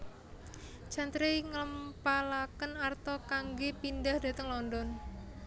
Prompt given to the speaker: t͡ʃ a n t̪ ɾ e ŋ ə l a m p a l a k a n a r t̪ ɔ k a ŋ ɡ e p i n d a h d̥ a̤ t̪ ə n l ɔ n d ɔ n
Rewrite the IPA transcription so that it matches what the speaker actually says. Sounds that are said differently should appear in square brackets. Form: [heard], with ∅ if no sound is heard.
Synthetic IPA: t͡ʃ a n t̪ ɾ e ŋ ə l [ə] m p a l a k [ə] n a r t̪ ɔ k a ŋ ɡ e p i n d a h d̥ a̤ t̪ ə [ŋ] l ɔ n d ɔ n